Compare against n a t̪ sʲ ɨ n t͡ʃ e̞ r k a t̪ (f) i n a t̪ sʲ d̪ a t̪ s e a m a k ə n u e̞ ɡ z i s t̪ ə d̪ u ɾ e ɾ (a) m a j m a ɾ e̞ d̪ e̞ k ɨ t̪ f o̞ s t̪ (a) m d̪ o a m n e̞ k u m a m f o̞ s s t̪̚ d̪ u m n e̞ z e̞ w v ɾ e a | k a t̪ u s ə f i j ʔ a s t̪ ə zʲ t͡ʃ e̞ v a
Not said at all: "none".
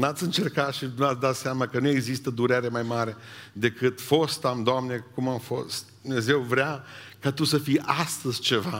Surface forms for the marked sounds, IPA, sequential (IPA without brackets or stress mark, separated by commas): ʃ, e, a